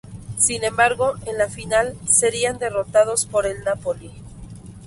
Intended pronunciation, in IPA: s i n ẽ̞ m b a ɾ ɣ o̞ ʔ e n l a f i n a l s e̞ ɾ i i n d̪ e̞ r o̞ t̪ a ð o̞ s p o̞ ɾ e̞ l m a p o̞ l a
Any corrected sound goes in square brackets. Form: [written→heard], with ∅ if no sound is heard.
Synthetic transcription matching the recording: s i n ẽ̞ m b a ɾ ɣ o̞ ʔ e n l a f i n a l s e̞ ɾ i [i→a] n d̪ e̞ r o̞ t̪ a ð o̞ s p o̞ ɾ e̞ l [m→n] a p o̞ l [a→i]